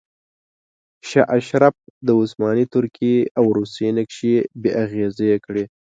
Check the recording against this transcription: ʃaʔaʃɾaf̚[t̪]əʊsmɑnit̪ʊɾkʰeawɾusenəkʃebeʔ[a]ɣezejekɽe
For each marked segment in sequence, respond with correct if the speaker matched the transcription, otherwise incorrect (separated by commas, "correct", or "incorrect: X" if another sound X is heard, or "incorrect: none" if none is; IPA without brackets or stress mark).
incorrect: d̪, correct